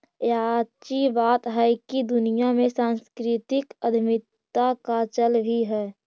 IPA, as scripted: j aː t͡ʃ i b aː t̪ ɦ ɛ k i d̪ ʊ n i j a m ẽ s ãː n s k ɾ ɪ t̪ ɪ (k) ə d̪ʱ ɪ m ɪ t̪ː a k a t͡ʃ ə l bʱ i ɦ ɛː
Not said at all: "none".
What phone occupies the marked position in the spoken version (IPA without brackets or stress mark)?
k